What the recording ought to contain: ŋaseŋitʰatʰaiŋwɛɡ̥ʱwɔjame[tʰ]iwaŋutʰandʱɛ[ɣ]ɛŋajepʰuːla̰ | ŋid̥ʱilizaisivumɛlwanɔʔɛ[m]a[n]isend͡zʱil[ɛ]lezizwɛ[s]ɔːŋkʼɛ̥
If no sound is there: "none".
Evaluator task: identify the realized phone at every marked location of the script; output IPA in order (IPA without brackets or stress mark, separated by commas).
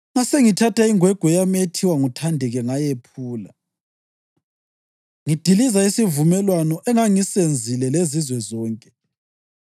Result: tʰ, ɣ, ŋ, ŋ, ɛ, z